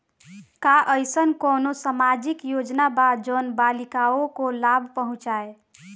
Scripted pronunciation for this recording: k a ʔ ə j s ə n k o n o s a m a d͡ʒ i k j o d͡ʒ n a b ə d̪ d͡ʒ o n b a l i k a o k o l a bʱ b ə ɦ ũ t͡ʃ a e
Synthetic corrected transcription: k a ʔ ə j s ə n k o n o s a m a d͡ʒ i k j o d͡ʒ n a b a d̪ d͡ʒ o n b a l i k a o k o l a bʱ p ə ɦ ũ t͡ʃ a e